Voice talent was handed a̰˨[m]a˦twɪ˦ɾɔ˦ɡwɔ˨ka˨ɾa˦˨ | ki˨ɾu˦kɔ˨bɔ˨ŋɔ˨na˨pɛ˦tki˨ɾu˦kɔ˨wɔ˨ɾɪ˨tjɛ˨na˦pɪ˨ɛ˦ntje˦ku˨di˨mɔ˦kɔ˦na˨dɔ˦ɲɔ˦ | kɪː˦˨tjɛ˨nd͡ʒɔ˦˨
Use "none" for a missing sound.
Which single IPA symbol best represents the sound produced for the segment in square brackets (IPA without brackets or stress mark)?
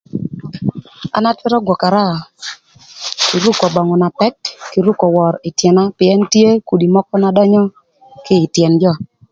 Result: n